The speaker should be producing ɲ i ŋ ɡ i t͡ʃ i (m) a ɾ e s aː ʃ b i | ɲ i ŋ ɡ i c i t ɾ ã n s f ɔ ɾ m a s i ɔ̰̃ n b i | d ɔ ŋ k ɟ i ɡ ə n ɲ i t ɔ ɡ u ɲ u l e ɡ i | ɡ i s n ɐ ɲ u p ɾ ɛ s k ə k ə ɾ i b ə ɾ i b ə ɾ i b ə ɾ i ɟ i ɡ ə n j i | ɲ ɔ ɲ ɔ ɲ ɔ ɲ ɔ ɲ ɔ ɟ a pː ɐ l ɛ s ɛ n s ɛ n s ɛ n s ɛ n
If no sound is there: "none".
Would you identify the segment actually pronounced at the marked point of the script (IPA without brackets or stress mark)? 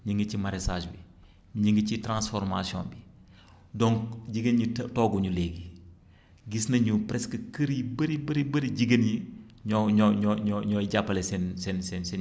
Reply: m